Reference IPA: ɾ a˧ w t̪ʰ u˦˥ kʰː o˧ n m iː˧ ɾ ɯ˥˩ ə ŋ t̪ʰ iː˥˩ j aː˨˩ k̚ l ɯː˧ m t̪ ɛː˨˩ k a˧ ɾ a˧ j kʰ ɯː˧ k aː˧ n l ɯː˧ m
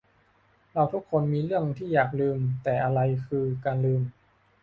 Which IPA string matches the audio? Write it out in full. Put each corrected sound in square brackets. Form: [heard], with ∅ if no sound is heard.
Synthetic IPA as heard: ɾ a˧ w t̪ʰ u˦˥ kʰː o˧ n m iː˧ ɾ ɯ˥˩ ə ŋ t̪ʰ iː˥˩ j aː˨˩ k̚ l ɯː˧ m t̪ ɛː˨˩ [ʔ] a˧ ɾ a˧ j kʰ ɯː˧ k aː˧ n l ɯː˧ m